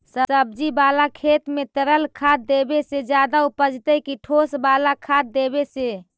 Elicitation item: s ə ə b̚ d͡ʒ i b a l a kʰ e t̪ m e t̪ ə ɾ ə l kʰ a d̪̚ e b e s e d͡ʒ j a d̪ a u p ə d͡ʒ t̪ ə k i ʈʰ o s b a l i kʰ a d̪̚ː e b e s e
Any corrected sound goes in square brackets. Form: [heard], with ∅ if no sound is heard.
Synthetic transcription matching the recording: s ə ə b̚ d͡ʒ i b a l a kʰ e t̪ m e t̪ ə ɾ ə l kʰ a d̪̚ e b e s e d͡ʒ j a d̪ a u p ə d͡ʒ t̪ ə k i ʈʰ o s b a l [a] kʰ a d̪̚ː e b e s e